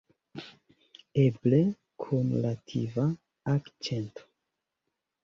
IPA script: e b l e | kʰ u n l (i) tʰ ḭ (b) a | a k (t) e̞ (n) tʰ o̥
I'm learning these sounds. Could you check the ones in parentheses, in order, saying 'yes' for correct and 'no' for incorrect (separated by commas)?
no, no, no, yes